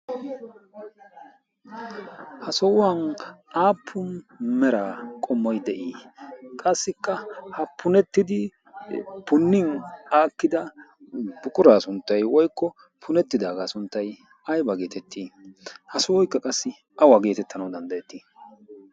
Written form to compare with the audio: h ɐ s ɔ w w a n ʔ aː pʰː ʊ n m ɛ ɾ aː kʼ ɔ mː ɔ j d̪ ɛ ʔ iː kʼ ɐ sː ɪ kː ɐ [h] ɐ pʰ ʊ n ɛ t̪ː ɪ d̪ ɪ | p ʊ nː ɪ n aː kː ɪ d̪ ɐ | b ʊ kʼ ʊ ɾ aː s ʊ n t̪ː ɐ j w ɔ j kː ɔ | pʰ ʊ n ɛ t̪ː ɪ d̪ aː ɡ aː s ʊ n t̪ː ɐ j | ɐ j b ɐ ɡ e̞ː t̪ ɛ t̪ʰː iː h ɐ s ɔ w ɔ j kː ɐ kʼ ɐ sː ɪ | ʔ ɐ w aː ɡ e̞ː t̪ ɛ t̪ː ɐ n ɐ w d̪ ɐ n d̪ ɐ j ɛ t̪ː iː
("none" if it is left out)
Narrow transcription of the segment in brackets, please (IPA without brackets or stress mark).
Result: h